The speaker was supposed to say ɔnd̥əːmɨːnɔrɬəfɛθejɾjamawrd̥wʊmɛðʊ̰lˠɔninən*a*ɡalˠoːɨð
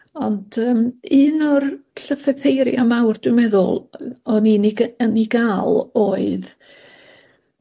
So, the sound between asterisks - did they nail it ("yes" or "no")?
no